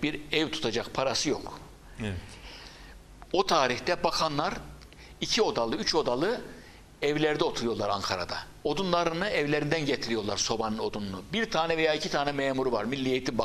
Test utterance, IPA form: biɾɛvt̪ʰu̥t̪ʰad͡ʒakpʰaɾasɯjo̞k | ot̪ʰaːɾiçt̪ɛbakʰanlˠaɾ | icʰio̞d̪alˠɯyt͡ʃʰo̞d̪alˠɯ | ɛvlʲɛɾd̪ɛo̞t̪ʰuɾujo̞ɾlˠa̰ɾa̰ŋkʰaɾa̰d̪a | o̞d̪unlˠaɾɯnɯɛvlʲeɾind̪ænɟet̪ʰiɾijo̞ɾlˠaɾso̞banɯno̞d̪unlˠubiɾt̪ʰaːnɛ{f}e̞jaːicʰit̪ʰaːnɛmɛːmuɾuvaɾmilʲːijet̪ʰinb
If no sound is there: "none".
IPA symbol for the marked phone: v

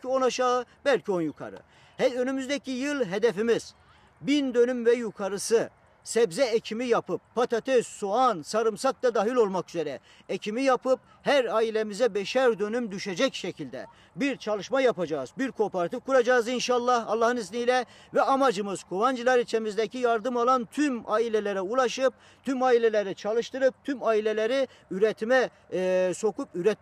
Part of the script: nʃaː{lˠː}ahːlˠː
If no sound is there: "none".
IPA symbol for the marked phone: lˠː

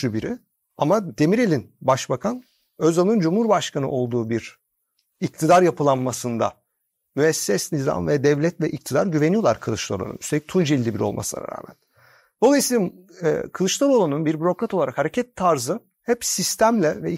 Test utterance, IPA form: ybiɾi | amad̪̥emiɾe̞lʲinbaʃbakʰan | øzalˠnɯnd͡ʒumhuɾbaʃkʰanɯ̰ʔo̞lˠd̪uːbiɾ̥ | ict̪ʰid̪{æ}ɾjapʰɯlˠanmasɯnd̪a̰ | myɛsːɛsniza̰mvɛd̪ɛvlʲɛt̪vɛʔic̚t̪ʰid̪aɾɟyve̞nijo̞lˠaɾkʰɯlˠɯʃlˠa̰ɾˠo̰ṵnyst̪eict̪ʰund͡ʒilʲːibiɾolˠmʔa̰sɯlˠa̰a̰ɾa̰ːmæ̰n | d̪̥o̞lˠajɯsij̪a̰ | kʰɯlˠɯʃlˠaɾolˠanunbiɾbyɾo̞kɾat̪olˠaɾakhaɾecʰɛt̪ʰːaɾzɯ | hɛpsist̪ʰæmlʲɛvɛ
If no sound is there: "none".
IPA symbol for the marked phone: a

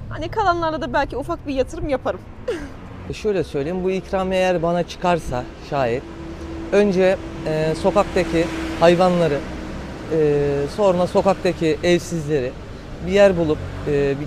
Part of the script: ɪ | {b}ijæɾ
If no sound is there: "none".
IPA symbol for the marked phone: b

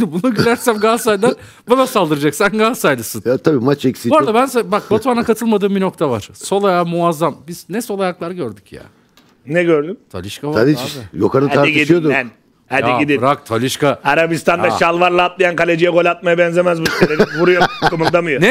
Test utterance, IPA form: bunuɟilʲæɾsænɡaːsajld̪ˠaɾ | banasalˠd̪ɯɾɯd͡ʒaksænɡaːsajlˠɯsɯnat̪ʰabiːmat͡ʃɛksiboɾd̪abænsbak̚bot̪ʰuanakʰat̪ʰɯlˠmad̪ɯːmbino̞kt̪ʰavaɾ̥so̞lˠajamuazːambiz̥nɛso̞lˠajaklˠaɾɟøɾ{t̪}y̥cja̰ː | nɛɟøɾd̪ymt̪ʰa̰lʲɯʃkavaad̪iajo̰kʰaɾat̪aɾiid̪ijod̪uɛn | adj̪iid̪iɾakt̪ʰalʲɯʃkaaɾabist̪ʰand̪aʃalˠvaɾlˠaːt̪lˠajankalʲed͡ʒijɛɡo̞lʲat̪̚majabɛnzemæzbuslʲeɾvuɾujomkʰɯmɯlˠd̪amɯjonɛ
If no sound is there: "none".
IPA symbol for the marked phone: d̪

